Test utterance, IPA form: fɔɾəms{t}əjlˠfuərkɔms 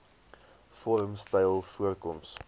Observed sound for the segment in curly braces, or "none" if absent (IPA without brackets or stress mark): t